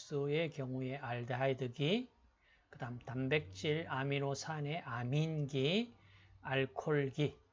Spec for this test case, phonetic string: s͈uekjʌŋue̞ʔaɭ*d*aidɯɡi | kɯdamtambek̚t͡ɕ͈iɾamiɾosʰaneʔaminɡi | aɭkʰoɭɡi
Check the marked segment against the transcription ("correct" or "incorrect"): correct